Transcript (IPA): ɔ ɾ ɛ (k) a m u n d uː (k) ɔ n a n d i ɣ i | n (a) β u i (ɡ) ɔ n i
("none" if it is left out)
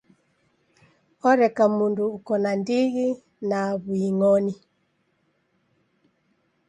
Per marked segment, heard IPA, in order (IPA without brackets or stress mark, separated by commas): k, k, a, ŋ